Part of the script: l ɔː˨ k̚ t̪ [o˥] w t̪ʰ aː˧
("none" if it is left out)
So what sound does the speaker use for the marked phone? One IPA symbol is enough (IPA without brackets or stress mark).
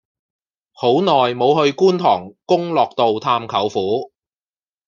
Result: o˨